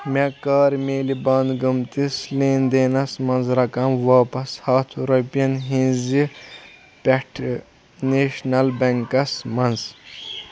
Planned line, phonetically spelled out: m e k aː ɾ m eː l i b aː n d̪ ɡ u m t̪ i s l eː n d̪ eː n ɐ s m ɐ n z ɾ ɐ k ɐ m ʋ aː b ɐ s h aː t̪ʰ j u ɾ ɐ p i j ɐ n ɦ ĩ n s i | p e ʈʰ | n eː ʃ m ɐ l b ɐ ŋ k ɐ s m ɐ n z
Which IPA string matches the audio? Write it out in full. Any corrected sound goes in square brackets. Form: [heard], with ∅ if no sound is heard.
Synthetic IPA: m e k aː ɾ m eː l i b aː n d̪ ɡ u m t̪ i s l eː n d̪ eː n ɐ s m ɐ n z ɾ ɐ k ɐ m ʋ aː [p] ɐ s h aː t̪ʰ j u ɾ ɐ p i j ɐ n ɦ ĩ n [z] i | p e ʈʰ | n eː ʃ [n] ɐ l b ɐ ŋ k ɐ s m ɐ n z